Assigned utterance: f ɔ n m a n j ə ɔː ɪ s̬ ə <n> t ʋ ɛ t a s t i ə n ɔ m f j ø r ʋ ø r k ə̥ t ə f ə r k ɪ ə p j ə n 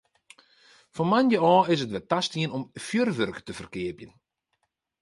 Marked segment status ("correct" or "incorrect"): incorrect